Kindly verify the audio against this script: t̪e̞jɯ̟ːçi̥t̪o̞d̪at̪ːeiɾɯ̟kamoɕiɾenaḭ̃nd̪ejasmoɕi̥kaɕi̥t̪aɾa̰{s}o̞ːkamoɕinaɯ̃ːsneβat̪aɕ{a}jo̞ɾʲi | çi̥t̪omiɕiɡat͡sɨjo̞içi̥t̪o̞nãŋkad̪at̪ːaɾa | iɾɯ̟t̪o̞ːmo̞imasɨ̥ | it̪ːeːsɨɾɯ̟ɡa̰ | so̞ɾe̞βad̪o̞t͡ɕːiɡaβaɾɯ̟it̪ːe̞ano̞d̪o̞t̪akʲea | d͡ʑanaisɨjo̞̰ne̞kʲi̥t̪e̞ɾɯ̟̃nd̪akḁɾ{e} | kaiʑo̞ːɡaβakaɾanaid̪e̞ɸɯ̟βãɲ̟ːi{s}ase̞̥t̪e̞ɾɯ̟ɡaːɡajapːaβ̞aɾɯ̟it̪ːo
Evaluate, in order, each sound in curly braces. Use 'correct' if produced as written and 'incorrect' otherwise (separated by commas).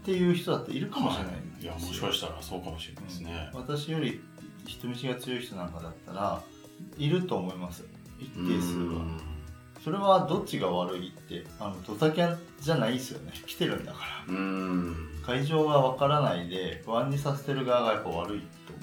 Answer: correct, incorrect, incorrect, correct